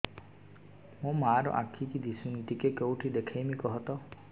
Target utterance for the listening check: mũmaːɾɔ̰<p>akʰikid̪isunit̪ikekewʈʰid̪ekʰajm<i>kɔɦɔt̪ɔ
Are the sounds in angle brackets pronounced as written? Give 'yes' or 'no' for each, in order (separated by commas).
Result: no, yes